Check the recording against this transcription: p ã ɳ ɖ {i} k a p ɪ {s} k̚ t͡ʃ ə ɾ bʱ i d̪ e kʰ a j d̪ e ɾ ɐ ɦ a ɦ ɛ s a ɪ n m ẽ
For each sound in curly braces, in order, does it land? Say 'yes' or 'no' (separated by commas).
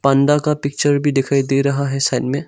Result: no, no